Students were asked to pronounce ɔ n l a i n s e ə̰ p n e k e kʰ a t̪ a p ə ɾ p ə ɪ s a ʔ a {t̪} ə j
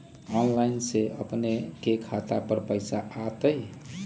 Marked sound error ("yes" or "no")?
no